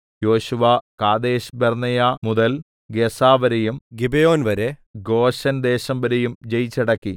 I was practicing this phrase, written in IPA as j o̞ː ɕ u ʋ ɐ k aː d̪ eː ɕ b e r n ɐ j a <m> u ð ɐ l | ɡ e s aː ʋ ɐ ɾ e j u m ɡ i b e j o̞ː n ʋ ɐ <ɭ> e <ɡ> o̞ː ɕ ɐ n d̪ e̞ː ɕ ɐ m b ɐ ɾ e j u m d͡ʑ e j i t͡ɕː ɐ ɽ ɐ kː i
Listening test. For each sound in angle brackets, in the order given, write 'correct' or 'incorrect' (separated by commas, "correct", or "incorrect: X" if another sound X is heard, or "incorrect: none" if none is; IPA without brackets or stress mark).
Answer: correct, incorrect: ɾ, correct